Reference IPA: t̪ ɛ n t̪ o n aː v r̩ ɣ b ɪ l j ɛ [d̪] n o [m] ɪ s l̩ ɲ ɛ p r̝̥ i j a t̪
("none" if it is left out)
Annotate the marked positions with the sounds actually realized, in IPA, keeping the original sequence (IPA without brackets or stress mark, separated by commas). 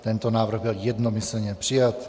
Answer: d̪, m